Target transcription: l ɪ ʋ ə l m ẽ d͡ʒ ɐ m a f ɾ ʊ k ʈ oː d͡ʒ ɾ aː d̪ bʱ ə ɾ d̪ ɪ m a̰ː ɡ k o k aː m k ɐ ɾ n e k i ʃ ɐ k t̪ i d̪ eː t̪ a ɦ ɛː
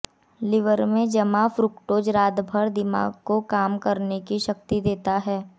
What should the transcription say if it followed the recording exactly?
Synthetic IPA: l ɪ ʋ ə ɾ m ẽ d͡ʒ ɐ m a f ɾ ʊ k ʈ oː d͡ʒ ɾ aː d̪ bʱ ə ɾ d̪ ɪ m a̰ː ɡ k o k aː m k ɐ ɾ n e k i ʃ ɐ k t̪ i d̪ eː t̪ a ɦ ɛː